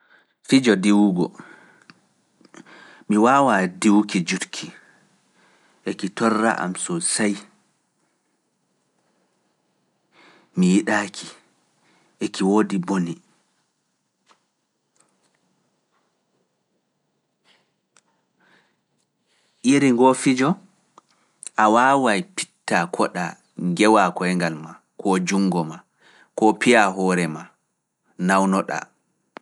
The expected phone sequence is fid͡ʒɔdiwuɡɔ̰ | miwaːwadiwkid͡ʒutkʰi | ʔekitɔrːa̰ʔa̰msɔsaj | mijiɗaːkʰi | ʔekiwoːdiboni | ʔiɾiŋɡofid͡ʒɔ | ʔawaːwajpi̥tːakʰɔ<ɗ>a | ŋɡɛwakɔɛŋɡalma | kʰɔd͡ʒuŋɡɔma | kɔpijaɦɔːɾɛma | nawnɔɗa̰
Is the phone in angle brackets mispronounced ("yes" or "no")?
no